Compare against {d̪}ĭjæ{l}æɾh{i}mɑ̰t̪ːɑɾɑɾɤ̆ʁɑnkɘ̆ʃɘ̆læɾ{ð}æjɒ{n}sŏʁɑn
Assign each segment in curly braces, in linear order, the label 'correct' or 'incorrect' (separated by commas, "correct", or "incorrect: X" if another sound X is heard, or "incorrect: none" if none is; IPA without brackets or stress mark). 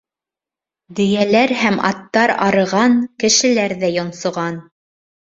correct, correct, incorrect: æ, correct, correct